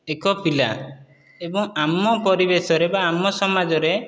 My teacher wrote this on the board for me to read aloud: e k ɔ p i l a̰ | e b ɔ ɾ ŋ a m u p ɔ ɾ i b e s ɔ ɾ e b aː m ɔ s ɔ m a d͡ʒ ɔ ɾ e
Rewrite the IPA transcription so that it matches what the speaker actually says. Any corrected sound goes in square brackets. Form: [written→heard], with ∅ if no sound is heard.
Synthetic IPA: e k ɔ p i l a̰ | e b ɔ [ɾ→∅] ŋ a m [u→ɔ] p ɔ ɾ i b e s ɔ ɾ e b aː m ɔ s ɔ m a d͡ʒ ɔ ɾ e